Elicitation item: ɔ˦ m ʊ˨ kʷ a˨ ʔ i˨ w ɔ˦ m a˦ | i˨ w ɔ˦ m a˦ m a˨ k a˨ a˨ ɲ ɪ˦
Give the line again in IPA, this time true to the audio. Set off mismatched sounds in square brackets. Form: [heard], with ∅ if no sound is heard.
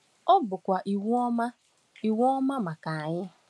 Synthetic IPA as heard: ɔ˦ [b] ʊ˨ kʷ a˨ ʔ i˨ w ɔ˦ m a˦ | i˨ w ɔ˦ m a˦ m a˨ k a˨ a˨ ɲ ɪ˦

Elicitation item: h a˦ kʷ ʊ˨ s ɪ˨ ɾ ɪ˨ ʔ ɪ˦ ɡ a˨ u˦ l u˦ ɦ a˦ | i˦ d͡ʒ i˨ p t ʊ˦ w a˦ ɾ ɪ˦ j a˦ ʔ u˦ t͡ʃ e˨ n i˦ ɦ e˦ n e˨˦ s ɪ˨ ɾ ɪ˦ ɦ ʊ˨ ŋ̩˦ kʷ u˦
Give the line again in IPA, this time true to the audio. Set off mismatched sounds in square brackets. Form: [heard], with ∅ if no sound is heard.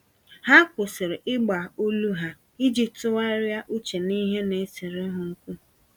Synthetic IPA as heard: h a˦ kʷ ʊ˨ s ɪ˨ ɾ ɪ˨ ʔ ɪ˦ [ɡ͡b] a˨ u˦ l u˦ ɦ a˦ | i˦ d͡ʒ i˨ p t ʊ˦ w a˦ ɾ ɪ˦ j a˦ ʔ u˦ t͡ʃ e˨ n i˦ ɦ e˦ n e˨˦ s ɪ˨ ɾ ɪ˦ ɦ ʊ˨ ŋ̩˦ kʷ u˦

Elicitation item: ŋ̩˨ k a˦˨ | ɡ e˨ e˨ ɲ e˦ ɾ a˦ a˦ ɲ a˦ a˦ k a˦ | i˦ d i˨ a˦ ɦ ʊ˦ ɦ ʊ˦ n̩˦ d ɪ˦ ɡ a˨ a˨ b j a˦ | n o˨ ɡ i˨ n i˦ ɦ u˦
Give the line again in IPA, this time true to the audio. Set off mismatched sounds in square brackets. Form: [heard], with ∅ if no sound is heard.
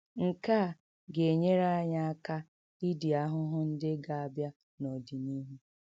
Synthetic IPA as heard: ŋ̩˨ k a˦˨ | ɡ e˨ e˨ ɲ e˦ ɾ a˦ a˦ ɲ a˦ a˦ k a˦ | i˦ d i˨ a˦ ɦ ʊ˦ ɦ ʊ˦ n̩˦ d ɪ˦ ɡ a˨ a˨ b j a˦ | n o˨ [d] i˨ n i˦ ɦ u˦

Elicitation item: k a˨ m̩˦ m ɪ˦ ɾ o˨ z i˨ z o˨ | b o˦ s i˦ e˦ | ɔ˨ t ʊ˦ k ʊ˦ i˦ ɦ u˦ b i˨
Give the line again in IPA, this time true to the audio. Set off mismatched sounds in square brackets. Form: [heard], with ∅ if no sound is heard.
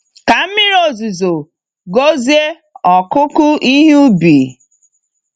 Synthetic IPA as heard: k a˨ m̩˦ m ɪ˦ ɾ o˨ z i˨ z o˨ | [ɡ] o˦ [z] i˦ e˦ | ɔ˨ [k] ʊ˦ k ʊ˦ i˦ ɦ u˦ b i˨

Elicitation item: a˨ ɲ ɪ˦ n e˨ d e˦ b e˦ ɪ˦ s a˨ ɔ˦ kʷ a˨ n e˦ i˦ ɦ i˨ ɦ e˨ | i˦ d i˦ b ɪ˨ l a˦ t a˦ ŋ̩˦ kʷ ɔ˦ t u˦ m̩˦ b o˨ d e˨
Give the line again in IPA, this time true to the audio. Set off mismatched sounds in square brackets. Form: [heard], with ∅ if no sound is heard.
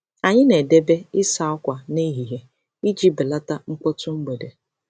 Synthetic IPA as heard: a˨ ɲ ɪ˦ n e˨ d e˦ b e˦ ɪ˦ s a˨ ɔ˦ kʷ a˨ n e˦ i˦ ɦ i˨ ɦ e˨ | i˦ [d͡ʒ] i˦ b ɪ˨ l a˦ t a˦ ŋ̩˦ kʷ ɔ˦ t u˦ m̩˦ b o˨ d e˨

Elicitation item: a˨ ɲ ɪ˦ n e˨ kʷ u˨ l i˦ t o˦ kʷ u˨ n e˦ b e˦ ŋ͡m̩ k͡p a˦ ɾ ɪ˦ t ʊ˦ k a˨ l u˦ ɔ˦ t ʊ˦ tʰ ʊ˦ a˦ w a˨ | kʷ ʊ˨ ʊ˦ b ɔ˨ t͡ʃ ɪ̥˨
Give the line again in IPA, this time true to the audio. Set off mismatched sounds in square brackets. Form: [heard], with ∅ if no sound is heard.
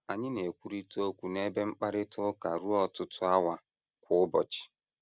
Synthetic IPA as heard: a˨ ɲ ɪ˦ n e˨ kʷ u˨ [ɾ] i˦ t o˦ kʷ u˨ n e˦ b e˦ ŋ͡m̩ k͡p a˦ ɾ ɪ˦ t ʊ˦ k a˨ [ɾ] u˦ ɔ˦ t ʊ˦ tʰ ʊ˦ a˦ w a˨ | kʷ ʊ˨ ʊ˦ b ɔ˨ t͡ʃ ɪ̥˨

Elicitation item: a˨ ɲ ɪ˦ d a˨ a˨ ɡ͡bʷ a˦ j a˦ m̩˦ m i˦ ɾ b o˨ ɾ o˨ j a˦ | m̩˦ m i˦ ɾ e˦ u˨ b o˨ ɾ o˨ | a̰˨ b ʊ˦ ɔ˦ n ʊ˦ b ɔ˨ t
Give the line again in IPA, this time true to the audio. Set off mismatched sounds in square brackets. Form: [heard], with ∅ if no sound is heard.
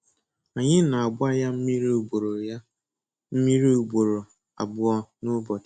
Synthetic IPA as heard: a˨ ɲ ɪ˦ [n] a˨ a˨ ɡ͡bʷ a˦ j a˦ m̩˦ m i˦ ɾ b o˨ ɾ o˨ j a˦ | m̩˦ m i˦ ɾ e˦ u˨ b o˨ ɾ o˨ | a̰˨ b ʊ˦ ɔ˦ n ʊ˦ b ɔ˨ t

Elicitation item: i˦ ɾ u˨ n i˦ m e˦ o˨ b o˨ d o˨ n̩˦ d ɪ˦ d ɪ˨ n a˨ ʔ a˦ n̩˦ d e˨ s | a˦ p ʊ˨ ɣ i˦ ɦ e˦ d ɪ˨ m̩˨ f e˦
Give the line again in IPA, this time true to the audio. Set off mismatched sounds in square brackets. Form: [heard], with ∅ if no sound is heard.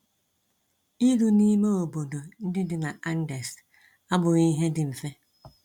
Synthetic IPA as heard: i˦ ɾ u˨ n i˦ m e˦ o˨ b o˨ d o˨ n̩˦ d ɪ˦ d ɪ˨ n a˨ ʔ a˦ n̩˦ d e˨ s | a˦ [b] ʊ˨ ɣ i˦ ɦ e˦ d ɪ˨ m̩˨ f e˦

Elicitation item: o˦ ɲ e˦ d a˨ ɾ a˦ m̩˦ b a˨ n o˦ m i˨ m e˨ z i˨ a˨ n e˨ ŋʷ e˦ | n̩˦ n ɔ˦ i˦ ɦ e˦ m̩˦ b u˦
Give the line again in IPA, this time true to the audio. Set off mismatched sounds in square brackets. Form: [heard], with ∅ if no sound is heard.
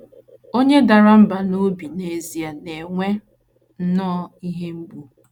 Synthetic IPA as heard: o˦ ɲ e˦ d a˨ ɾ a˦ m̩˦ b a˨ n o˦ [b] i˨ [n] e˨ z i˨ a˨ n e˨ ŋʷ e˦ | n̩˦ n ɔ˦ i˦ ɦ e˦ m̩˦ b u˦

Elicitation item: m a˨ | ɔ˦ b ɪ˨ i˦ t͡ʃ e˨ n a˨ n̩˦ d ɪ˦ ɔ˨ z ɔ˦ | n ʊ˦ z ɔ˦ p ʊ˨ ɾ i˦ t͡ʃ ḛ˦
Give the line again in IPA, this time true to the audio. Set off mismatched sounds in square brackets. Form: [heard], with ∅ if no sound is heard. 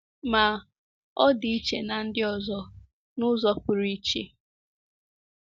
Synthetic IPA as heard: m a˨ | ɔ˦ [d] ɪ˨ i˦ t͡ʃ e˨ n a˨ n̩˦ d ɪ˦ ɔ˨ z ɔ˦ | n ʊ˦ z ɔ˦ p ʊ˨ ɾ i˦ t͡ʃ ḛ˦

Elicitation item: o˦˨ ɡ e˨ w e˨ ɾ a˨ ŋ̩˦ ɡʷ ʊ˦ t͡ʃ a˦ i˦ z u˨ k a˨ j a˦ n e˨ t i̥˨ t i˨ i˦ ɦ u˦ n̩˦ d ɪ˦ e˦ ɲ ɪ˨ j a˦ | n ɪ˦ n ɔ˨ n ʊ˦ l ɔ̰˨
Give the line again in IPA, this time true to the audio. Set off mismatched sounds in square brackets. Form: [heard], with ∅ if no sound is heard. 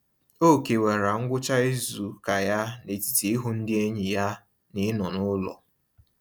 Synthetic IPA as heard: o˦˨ [k] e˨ w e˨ ɾ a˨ ŋ̩˦ ɡʷ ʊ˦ t͡ʃ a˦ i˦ z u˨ k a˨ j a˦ n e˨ t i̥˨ t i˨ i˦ ɦ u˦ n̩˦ d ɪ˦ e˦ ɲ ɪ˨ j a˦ | n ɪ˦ n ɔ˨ n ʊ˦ l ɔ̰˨

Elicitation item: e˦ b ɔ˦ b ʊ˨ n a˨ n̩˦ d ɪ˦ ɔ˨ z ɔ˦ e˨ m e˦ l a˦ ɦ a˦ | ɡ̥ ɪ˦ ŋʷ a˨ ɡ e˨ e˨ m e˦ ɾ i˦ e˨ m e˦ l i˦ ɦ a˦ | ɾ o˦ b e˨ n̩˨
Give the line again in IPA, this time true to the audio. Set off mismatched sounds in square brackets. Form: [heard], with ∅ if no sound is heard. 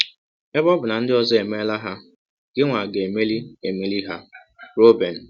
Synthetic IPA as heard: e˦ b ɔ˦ b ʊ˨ n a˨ n̩˦ d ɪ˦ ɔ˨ z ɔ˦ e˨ m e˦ l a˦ ɦ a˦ | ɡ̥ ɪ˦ ŋʷ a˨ ɡ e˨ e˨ m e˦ [l] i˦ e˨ m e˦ l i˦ ɦ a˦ | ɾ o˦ b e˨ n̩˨

